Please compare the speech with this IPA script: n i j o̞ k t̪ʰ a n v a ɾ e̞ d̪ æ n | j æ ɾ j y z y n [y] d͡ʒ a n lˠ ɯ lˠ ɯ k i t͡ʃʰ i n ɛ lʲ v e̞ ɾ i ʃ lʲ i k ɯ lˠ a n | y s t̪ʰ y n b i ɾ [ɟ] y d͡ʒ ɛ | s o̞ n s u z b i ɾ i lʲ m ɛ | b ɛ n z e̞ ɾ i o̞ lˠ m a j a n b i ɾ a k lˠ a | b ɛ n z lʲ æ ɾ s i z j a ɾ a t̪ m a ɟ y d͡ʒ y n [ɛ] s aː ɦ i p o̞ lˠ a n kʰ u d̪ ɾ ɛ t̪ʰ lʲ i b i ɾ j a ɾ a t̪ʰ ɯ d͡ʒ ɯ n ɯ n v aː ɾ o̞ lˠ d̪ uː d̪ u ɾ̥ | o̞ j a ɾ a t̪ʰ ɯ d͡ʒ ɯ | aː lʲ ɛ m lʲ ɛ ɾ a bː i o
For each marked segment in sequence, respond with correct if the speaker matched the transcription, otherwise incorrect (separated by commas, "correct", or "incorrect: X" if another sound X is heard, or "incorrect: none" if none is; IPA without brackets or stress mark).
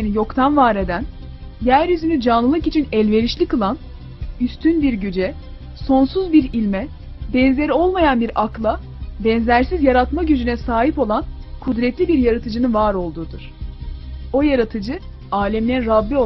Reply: correct, correct, correct